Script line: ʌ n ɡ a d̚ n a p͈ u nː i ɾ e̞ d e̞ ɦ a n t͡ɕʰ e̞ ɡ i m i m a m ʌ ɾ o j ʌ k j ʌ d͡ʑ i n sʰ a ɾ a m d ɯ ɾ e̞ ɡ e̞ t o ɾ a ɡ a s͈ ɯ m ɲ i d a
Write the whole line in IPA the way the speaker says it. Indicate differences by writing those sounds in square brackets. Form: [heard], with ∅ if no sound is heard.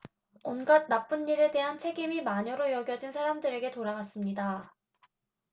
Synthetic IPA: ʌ n ɡ a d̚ n a p͈ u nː i ɾ e̞ d e̞ ɦ a n t͡ɕʰ e̞ ɡ i m i m a [ɲ] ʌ ɾ o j ʌ [ɡ] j ʌ d͡ʑ i n sʰ a ɾ a m d ɯ ɾ e̞ ɡ e̞ t o ɾ a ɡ a s͈ ɯ m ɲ i d a